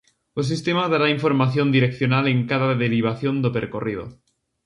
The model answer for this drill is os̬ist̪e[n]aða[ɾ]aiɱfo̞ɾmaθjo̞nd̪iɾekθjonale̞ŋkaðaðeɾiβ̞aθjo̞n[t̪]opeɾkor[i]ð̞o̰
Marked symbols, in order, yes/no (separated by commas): no, yes, no, yes